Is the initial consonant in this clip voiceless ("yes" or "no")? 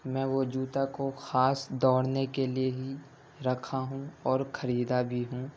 no